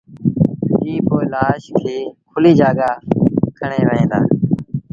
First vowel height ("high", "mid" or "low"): high